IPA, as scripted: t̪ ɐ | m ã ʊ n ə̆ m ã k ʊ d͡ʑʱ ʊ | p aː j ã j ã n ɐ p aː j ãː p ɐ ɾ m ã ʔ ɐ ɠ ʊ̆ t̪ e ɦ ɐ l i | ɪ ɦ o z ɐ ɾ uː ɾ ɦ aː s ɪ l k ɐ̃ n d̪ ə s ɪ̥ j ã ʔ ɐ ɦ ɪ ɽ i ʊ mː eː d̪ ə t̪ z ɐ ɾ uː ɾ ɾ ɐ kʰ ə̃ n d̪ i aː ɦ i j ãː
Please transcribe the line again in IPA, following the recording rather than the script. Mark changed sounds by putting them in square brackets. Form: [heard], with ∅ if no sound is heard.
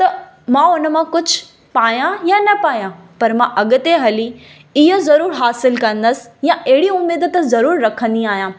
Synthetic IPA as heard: t̪ ɐ | m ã ʊ n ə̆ m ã k ʊ d͡ʑʱ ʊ | p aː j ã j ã n ɐ p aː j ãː p ɐ ɾ m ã ʔ ɐ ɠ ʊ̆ t̪ e ɦ ɐ l i | ɪ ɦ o z ɐ ɾ uː ɾ ɦ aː s ɪ l k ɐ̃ n d̪ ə s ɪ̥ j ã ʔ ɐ ɦ ɪ ɽ i ʊ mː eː d̪ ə t̪ z ɐ ɾ uː ɾ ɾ ɐ kʰ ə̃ n d̪ i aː ɦ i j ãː

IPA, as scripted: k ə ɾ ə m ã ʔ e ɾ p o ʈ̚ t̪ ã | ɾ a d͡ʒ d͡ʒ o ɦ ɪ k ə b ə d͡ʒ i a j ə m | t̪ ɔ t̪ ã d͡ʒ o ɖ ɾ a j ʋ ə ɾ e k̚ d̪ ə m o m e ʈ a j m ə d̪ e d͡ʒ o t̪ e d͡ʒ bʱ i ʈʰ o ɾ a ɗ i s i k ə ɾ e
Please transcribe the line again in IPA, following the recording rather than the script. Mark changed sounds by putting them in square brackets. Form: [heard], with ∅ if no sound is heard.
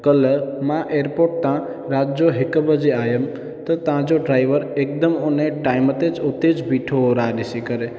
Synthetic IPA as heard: k ə [l] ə m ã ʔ e ɾ p o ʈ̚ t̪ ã | ɾ a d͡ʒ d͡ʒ o ɦ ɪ k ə b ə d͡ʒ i a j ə m | t̪ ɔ t̪ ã d͡ʒ o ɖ ɾ a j ʋ ə ɾ e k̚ d̪ ə m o [n] e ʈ a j m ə [t̪] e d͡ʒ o t̪ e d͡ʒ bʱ i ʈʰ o ɾ a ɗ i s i k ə ɾ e

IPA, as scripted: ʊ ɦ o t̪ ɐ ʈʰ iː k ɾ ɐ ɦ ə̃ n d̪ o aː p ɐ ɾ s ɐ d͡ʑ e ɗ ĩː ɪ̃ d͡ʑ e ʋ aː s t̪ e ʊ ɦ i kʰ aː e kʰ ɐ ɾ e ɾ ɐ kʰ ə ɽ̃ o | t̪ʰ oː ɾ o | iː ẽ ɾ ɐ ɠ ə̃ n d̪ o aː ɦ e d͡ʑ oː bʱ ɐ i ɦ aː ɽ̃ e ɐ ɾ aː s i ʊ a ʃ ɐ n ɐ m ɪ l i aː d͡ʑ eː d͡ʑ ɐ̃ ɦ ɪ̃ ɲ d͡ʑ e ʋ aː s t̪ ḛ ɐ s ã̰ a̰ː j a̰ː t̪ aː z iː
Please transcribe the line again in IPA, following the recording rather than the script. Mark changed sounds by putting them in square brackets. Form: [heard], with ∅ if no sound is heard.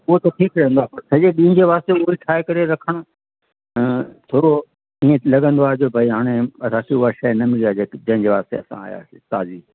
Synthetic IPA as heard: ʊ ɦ o t̪ ɐ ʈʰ iː k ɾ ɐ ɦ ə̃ n d̪ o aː p ɐ ɾ s ɐ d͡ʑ e ɗ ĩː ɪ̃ d͡ʑ e ʋ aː s t̪ e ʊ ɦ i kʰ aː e [k] ɐ ɾ e ɾ ɐ kʰ ə ɽ̃ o | t̪ʰ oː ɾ o | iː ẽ [l] ɐ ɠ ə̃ n d̪ o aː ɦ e d͡ʑ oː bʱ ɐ i ɦ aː ɽ̃ e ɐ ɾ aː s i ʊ a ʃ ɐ n ɐ m ɪ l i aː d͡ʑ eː d͡ʑ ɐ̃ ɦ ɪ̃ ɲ d͡ʑ e ʋ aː s t̪ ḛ ɐ s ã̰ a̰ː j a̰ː t̪ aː z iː

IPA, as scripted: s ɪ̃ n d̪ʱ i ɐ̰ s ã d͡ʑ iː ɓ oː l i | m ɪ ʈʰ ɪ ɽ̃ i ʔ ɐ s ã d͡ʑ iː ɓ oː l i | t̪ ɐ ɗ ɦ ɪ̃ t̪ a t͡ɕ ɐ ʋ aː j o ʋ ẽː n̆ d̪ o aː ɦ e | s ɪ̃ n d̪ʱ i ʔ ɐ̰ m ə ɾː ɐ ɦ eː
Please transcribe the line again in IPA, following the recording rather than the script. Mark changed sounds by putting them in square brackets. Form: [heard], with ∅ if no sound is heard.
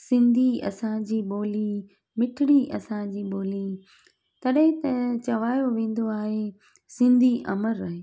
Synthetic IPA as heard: s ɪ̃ n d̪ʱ i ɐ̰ s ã d͡ʑ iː ɓ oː l i | m ɪ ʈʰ ɪ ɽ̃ i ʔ ɐ s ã d͡ʑ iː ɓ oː l i | t̪ ɐ ɗ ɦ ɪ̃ t̪ [ɐ] t͡ɕ ɐ ʋ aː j o ʋ ẽː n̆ d̪ o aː ɦ e | s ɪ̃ n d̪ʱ i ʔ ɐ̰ m ə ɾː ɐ ɦ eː

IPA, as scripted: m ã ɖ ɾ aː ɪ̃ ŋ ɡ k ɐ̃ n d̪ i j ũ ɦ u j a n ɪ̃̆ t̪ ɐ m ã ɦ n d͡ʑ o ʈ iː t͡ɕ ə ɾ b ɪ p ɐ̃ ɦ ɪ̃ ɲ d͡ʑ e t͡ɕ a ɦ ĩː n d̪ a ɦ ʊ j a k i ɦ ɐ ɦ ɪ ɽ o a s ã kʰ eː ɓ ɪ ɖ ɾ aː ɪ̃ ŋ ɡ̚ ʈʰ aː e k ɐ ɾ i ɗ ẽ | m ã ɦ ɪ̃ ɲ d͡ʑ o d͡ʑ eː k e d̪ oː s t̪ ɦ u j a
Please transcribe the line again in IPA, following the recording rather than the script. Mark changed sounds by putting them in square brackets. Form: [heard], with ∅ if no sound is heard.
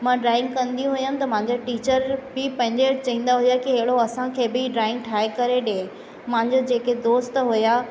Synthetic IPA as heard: m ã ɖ ɾ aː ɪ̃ ŋ ɡ k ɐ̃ n d̪ i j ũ ɦ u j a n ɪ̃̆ t̪ ɐ m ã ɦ [ɲ] d͡ʑ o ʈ iː t͡ɕ ə ɾ b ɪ p ɐ̃ ɦ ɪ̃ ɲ d͡ʑ e t͡ɕ [ɐ] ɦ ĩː n d̪ a ɦ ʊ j a k i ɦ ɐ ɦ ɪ ɽ o [ɐ] s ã kʰ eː [b] ɪ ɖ ɾ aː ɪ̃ ŋ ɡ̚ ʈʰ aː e k ɐ ɾ [e] ɗ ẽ | m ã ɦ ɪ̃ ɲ d͡ʑ o d͡ʑ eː k e d̪ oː s t̪ ɦ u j a

